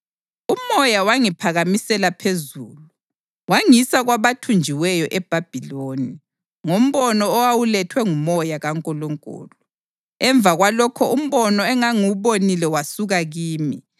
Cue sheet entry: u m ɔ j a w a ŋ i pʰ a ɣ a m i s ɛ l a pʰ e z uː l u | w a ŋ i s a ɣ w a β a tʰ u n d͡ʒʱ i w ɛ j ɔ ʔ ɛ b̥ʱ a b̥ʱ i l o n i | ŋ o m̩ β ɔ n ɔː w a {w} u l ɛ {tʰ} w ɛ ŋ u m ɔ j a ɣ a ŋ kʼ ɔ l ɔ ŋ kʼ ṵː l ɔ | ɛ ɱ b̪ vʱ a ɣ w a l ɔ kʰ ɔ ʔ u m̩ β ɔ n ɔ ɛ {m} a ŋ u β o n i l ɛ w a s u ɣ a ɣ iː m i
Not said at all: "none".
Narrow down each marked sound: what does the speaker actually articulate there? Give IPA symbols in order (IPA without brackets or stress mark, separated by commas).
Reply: w, tʰ, ŋ